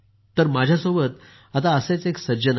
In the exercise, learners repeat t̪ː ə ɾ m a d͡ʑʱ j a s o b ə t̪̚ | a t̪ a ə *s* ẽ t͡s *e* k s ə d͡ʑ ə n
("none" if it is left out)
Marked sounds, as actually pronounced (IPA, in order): s, e

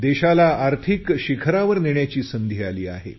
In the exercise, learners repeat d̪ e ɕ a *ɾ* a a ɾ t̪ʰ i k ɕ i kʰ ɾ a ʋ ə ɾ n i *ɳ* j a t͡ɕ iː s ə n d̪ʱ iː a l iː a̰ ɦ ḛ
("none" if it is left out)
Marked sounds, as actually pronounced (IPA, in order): l, ɳ

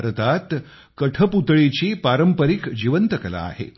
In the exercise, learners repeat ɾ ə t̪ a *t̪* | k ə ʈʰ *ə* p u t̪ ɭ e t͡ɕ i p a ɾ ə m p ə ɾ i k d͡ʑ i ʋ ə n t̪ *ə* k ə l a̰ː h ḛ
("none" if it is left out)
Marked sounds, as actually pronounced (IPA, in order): t̪, ə, ə

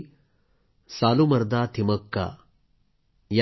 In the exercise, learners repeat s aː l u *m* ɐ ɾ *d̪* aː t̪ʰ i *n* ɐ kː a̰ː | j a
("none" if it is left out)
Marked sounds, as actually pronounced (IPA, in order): m, d̪, m

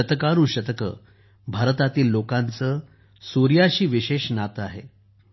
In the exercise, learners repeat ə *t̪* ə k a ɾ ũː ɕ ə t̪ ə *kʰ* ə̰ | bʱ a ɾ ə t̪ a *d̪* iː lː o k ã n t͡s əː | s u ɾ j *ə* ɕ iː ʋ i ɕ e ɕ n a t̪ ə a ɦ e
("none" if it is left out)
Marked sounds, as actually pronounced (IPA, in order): t̪, k, t̪, a

